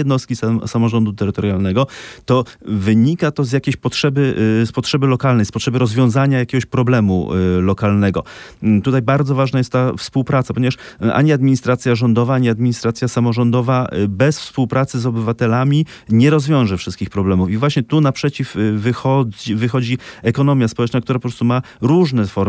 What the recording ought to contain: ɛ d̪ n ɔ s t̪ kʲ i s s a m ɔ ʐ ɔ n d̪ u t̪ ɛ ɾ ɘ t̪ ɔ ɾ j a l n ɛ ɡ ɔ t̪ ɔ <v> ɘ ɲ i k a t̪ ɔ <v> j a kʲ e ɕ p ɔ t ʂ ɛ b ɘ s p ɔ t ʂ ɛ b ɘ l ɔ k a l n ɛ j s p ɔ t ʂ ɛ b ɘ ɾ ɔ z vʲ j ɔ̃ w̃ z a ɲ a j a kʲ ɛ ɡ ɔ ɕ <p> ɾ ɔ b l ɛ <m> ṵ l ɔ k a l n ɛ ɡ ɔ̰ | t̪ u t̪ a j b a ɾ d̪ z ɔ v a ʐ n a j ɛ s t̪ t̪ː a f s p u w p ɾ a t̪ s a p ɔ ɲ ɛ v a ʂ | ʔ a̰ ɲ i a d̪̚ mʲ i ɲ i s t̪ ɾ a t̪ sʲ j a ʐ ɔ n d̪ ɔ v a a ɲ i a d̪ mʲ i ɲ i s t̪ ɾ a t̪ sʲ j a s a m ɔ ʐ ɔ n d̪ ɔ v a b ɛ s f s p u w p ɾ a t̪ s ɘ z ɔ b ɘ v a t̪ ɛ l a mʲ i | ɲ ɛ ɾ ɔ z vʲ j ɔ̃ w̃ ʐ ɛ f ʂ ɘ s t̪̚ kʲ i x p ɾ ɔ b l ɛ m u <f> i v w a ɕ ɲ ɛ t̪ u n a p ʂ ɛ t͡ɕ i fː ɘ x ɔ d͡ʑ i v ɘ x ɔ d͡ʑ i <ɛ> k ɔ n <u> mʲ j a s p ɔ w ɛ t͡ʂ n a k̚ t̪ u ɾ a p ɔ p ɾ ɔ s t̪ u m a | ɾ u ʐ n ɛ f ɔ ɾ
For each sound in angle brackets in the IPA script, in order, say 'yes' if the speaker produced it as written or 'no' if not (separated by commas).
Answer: yes, no, yes, yes, yes, yes, no